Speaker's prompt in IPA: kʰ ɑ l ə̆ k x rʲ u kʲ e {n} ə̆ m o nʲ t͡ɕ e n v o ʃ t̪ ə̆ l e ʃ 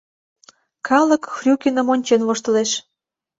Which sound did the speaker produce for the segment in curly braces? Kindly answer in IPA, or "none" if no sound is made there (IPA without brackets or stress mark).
n